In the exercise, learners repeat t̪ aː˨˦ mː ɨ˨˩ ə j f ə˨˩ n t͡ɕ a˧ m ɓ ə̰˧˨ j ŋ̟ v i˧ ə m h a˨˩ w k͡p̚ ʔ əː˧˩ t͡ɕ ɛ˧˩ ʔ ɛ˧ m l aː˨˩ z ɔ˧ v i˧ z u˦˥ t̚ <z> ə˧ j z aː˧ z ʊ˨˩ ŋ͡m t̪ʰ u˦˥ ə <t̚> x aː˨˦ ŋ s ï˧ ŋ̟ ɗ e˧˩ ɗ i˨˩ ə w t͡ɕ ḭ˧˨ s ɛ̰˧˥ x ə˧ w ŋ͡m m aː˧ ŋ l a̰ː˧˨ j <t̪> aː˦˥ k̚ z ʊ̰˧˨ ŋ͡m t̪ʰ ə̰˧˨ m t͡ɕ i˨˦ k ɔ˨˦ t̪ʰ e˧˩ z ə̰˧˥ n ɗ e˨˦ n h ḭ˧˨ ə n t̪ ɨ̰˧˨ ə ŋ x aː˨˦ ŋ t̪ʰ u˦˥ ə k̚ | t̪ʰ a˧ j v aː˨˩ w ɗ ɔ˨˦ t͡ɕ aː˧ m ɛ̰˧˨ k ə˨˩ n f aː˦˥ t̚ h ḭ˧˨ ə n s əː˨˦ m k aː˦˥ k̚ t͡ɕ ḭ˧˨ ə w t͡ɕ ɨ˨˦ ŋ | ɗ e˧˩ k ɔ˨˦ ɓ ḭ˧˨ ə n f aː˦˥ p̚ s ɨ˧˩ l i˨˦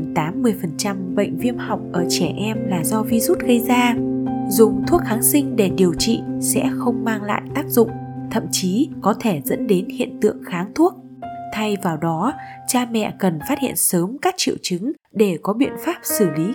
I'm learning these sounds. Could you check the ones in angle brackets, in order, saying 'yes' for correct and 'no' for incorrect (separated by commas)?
no, no, yes